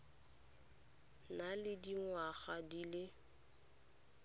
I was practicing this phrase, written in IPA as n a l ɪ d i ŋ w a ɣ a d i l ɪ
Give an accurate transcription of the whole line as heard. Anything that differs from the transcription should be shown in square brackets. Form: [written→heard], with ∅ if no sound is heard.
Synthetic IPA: n a l ɪ d i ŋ w a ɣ a d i l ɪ